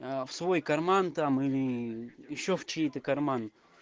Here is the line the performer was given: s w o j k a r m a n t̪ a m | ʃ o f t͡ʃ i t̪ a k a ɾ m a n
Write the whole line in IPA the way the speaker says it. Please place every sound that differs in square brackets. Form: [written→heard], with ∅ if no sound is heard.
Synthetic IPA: s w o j k a [r→ɾ] m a n t̪ a m | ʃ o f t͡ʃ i t̪ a k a ɾ m a n